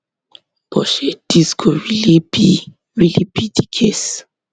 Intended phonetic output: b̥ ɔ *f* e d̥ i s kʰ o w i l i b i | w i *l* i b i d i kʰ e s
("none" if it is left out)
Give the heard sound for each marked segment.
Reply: ʃ, l

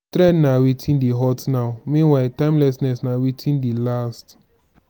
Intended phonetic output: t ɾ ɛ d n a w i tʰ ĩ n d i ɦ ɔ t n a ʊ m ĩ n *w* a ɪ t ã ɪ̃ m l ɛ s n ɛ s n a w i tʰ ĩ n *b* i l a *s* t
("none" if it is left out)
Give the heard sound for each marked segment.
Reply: w, d, s

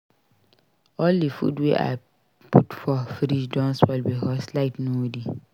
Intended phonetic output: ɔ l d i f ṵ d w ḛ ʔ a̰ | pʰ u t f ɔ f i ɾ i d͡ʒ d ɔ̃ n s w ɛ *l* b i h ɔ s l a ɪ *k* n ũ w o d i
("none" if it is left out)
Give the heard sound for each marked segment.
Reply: l, t

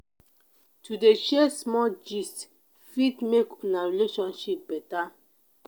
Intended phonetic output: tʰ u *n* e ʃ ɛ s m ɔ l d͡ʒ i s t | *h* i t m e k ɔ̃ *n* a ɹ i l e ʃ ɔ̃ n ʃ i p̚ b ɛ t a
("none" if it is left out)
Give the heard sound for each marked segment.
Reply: d, f, n

